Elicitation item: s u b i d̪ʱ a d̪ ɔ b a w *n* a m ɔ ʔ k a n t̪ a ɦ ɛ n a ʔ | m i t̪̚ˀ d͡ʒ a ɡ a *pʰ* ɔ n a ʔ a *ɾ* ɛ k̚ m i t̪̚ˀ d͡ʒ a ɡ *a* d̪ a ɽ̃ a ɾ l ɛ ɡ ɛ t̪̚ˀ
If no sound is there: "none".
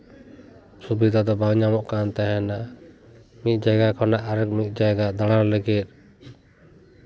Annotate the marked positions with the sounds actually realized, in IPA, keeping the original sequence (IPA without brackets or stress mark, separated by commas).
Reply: ɲ, kʰ, ɾ, a